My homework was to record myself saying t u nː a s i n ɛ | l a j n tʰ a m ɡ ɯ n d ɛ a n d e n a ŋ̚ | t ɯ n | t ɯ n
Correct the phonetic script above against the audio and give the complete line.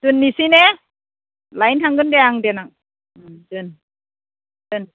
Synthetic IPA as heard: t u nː i s i n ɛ | l a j n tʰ a ŋ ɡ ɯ n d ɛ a ŋ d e n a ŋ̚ | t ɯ n | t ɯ n